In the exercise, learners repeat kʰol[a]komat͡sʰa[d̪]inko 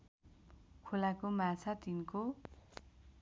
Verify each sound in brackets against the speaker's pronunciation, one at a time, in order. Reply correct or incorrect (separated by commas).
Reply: correct, incorrect